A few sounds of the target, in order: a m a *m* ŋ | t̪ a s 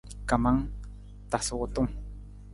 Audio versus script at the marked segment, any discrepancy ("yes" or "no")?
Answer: yes